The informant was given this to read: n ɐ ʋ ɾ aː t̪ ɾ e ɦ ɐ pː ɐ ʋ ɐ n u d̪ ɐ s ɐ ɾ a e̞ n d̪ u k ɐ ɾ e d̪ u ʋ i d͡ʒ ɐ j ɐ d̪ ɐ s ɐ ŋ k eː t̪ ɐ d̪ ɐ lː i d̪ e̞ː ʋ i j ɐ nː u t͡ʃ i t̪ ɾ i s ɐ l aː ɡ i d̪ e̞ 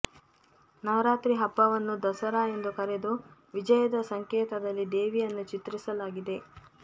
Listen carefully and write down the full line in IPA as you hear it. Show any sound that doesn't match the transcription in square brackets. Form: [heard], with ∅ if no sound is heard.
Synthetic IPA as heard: n ɐ ʋ ɾ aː t̪ ɾ [i] ɦ ɐ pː ɐ ʋ ɐ [nː] u d̪ ɐ s ɐ ɾ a e̞ n d̪ u k ɐ ɾ e d̪ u ʋ i d͡ʒ ɐ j ɐ d̪ ɐ s ɐ ŋ k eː t̪ ɐ d̪ ɐ lː i d̪ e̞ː ʋ i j ɐ nː u t͡ʃ i t̪ ɾ i s ɐ l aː ɡ i d̪ e̞